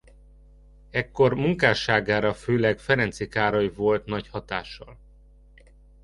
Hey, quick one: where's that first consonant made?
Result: velum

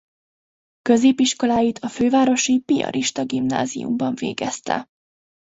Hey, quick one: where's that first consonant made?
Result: velum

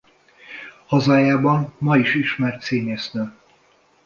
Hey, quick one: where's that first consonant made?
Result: throat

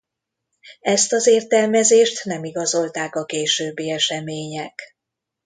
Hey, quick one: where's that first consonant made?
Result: tongue tip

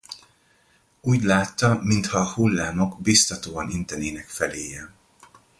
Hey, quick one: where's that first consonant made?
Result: palate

